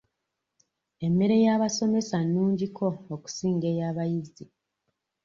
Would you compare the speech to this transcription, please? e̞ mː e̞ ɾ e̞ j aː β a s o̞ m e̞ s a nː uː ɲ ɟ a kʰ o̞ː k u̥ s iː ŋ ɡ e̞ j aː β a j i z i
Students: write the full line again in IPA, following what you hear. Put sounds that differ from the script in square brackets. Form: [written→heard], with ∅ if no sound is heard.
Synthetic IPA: e̞ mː e̞ ɾ e̞ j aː β a s o̞ m e̞ s a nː uː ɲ ɟ [a→i] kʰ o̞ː k u̥ s iː ŋ ɡ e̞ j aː β a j i z i